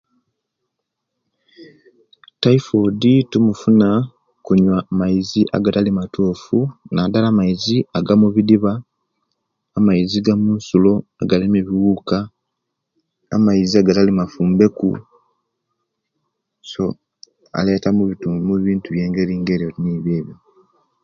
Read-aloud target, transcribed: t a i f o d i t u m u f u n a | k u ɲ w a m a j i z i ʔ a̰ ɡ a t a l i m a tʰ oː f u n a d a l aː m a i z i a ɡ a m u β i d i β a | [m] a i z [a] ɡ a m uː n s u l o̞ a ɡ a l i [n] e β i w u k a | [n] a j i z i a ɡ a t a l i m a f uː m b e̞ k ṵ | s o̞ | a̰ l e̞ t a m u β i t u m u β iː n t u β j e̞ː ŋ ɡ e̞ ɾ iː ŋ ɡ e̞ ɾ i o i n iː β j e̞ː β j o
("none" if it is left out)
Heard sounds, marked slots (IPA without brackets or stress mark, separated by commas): m, i, m, m